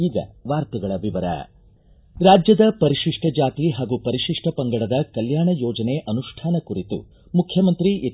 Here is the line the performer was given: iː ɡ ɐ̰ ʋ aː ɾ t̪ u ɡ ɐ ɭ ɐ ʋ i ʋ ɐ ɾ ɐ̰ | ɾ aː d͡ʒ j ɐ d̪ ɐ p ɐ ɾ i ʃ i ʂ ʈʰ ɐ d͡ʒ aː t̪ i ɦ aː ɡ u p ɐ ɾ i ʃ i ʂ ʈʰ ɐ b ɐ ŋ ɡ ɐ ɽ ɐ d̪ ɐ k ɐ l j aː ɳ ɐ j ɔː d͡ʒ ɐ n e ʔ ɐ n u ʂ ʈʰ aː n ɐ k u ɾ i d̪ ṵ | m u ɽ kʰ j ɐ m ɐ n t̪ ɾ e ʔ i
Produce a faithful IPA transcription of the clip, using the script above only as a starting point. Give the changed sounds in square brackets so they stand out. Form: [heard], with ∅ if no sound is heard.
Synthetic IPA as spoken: iː ɡ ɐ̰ ʋ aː ɾ t̪ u ɡ ɐ ɭ ɐ ʋ i ʋ ɐ ɾ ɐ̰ | ɾ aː d͡ʒ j ɐ d̪ ɐ p ɐ ɾ i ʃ i ʂ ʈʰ ɐ d͡ʒ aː t̪ i ɦ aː ɡ u p ɐ ɾ i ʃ i ʂ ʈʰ ɐ [p] ɐ ŋ ɡ ɐ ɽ ɐ d̪ ɐ k ɐ l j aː ɳ ɐ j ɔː d͡ʒ ɐ n e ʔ ɐ n u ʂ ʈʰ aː n ɐ k u ɾ i [t̪] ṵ | m u [∅] kʰ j ɐ m ɐ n t̪ ɾ [i] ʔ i